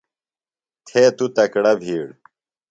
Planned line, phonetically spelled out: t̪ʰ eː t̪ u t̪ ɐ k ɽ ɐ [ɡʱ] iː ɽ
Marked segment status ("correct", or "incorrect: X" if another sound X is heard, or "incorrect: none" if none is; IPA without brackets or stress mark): incorrect: bʱ